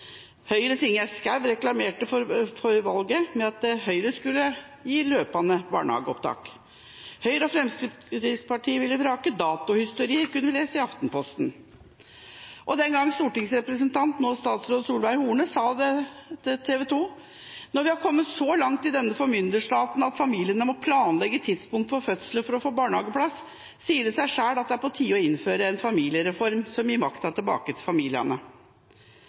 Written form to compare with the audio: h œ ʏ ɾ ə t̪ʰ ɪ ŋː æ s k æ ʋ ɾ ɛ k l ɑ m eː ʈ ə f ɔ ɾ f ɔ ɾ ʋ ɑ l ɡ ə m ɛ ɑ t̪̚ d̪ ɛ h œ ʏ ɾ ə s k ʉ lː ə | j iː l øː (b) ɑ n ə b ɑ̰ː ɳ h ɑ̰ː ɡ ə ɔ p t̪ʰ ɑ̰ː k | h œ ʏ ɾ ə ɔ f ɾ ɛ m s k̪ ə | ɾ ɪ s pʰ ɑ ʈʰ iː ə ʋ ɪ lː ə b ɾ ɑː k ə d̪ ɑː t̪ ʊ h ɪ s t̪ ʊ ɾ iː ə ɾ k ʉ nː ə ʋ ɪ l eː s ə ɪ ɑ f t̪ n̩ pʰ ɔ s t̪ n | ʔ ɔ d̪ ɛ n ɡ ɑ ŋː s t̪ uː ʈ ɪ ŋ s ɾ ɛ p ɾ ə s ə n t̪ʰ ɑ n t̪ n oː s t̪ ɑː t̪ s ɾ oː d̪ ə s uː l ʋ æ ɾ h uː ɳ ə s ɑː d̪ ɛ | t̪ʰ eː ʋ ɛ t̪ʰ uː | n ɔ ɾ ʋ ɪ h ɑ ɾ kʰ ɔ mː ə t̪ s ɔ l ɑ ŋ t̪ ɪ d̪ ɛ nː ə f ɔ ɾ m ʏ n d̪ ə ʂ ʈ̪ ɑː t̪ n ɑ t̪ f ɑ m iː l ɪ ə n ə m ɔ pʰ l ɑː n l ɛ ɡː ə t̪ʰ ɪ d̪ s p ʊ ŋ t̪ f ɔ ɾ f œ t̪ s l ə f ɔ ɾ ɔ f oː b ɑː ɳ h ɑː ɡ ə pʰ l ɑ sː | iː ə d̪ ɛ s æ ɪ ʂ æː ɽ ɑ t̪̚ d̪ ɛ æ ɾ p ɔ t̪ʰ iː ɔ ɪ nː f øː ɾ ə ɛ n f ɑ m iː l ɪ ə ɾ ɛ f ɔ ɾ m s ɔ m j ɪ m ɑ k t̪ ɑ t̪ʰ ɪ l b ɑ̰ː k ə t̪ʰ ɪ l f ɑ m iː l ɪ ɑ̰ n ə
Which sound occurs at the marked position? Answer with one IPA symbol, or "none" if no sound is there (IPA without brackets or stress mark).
p